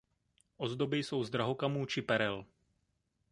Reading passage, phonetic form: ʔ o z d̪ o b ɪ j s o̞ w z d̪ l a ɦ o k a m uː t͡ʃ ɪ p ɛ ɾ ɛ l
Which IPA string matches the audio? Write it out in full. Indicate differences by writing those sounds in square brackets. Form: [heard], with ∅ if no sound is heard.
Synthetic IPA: ʔ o z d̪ o b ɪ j s o̞ w z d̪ [ɾ] a ɦ o k a m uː t͡ʃ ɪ p ɛ ɾ ɛ l